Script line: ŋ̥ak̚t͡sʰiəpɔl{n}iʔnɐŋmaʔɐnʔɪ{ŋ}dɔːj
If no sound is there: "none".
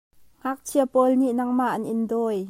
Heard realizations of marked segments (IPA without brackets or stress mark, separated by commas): n, n